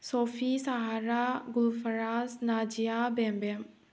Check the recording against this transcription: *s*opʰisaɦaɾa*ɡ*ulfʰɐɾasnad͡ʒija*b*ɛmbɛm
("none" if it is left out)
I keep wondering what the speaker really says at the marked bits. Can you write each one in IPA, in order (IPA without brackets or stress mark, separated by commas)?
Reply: s, ɡ, b